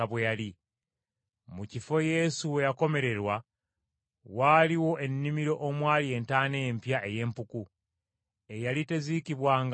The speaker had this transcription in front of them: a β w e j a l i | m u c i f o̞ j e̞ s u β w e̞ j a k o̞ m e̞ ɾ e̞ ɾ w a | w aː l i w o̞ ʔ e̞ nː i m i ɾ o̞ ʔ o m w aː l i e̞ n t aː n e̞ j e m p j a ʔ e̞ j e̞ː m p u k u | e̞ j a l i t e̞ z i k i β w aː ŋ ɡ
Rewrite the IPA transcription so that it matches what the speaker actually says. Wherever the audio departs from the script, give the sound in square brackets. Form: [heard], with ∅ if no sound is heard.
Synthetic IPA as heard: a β w e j a l i | m u c i f o̞ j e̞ s u [∅] w e̞ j a k o̞ m e̞ ɾ e̞ ɾ w a | w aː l i w o̞ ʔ e̞ nː i m i ɾ o̞ ʔ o m w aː l i e̞ n t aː n e̞ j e m p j a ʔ e̞ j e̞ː m p u k u | e̞ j a l i t e̞ z i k i β w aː ŋ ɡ